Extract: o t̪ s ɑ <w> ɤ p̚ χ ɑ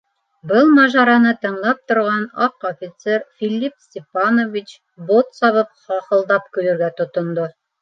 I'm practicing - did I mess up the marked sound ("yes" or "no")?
yes